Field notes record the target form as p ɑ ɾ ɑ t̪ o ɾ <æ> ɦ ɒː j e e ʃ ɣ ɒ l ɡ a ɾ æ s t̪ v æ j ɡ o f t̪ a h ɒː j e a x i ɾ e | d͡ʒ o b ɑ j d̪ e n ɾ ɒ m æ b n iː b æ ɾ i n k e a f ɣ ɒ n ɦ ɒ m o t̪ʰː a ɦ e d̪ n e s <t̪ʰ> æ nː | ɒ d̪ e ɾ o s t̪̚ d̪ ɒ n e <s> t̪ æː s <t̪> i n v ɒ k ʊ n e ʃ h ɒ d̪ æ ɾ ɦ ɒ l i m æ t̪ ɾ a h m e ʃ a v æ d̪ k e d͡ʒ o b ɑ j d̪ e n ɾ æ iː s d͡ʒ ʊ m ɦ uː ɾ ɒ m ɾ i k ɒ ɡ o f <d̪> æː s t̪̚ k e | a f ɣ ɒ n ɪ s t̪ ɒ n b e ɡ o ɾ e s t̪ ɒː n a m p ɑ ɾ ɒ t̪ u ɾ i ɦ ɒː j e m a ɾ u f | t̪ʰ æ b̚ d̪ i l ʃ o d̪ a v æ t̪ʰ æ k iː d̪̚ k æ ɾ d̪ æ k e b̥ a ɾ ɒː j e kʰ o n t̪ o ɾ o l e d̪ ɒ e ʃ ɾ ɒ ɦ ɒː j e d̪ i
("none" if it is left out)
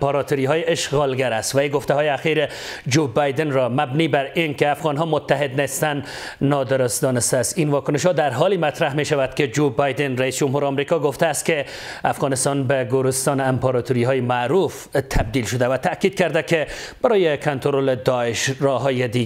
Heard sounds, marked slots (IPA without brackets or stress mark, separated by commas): i, t̪, s, t̪, t̪